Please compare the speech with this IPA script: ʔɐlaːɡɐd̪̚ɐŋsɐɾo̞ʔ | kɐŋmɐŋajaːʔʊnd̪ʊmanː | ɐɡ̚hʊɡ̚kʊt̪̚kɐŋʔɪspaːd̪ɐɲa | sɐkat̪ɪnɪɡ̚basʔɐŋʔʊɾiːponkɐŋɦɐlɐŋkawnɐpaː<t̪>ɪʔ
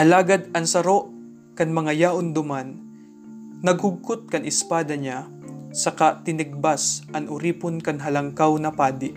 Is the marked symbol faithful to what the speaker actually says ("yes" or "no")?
no